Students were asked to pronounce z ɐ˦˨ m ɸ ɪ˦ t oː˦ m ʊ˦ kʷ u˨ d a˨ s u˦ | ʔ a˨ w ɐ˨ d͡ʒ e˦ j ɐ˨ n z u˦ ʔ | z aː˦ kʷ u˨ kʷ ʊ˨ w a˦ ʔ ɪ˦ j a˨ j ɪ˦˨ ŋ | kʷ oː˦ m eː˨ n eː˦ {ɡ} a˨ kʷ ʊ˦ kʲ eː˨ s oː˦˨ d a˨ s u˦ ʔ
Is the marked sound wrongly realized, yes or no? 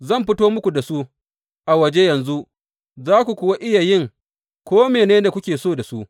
yes